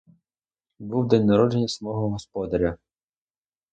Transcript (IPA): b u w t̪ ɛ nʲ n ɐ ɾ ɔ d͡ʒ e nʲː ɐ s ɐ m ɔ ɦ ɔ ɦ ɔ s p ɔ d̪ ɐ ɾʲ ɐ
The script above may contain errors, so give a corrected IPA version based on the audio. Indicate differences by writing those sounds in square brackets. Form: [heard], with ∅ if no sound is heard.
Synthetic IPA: b u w [d̪] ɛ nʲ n ɐ ɾ ɔ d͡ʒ e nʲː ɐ s ɐ m ɔ ɦ ɔ ɦ ɔ s p ɔ d̪ ɐ ɾʲ ɐ